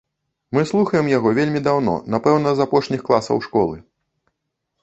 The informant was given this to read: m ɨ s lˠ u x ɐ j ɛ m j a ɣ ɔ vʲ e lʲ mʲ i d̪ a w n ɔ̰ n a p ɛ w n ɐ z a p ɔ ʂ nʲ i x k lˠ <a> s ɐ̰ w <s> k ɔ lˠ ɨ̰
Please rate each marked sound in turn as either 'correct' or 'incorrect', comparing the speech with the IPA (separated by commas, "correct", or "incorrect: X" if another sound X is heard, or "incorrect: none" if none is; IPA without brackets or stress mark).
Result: correct, incorrect: ʂ